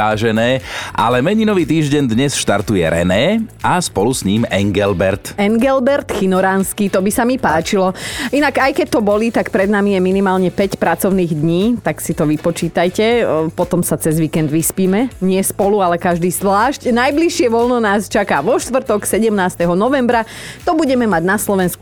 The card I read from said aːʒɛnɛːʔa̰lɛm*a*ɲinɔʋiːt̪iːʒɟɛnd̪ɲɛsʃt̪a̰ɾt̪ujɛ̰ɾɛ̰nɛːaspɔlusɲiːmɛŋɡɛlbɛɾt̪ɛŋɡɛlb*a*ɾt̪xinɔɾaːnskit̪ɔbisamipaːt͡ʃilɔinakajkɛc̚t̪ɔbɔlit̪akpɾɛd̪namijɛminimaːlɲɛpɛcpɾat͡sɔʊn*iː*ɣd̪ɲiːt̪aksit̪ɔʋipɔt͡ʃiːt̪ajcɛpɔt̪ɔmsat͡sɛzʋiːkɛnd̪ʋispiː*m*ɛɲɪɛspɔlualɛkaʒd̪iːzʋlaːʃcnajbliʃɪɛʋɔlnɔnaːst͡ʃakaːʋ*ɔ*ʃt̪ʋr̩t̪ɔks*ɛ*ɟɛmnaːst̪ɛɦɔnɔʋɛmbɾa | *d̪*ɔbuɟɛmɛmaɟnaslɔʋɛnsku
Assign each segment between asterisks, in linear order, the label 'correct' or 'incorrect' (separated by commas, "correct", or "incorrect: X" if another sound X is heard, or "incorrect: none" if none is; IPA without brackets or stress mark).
incorrect: ɛ, incorrect: ɛ, correct, correct, correct, correct, incorrect: t̪